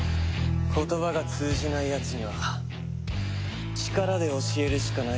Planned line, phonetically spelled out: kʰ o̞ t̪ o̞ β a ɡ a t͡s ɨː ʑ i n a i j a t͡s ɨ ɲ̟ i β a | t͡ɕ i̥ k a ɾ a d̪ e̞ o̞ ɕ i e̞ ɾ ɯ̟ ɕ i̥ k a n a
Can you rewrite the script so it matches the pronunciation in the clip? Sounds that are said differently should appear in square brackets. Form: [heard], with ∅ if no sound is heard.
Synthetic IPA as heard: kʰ o̞ t̪ o̞ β a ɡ a t͡s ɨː ʑ i n a i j a t͡s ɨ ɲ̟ i β a | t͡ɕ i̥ k a ɾ a d̪ e̞ o̞ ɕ i e̞ ɾ ɯ̟ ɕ i̥ k a n a